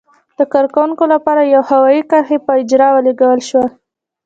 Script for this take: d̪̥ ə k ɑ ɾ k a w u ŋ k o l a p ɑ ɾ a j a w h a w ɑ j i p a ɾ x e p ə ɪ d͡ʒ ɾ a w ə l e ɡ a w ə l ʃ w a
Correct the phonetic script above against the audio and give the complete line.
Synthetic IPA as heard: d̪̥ ə k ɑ ɾ k a w u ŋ k o l a p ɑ ɾ a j a w h a w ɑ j i k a ɾ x e p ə ɪ d͡ʒ ɾ ɑ w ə l e ɡ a w ə l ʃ w a